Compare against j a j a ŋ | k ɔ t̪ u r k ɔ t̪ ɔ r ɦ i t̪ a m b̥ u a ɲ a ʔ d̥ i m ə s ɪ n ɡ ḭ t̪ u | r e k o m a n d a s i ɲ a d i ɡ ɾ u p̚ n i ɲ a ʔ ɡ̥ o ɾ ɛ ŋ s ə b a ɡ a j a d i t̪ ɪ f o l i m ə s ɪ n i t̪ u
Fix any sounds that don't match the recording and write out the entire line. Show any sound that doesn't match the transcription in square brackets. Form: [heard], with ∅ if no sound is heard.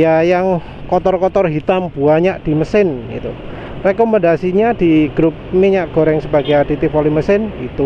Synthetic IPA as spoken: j a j a ŋ | k ɔ t̪ [ɔ] r k ɔ t̪ ɔ r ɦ i t̪ a m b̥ u a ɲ a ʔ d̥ i m ə s ɪ n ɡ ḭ t̪ u | r e k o m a n d a s i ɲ a d i ɡ ɾ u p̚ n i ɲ a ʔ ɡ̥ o ɾ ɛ ŋ s ə b a ɡ a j a d i t̪ ɪ f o l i m ə s ɪ n i t̪ u